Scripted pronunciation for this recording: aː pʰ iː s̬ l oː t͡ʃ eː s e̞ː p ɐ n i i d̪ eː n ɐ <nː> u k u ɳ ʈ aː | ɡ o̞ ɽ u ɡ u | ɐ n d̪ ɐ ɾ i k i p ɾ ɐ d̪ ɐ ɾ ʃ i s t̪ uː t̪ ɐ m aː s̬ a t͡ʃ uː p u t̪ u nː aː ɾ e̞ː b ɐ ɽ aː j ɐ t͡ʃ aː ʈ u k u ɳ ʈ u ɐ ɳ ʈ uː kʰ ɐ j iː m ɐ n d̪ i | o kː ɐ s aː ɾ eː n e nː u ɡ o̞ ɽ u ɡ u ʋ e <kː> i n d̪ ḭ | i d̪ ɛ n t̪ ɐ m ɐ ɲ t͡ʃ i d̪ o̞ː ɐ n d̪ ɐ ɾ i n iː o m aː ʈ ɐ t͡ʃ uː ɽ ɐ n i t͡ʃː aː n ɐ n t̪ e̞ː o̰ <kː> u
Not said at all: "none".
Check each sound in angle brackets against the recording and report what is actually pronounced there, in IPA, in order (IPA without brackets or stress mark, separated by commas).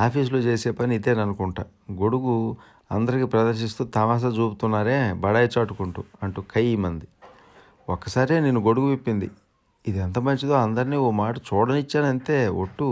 n, pː, ʈː